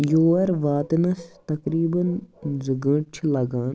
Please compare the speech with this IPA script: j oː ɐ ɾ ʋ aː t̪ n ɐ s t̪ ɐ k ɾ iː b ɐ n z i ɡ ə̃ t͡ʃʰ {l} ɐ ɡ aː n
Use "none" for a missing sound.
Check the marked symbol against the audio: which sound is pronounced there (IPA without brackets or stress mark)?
l